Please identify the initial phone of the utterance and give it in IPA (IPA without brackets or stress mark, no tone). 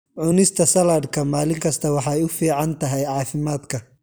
ʕ